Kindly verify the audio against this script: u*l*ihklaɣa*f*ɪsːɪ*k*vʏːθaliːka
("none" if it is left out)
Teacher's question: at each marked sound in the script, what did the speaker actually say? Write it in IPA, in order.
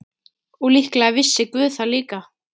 l, v, k

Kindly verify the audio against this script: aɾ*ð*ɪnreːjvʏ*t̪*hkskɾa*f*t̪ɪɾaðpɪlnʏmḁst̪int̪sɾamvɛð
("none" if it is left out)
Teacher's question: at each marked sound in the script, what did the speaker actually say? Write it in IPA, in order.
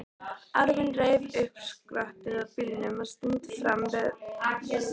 v, none, h

